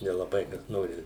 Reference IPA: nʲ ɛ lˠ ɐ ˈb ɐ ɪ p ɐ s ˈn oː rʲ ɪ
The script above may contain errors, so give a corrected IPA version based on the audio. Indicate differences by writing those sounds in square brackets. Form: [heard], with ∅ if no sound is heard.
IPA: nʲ ɛ lˠ ɐ ˈb ɐ ɪ [k] ɐ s ˈn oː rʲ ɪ